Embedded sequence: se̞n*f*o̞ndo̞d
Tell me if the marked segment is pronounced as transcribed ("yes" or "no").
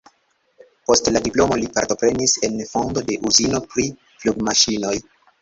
yes